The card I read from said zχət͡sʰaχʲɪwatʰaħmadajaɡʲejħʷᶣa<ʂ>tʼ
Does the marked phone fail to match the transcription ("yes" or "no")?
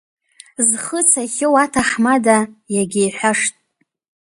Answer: no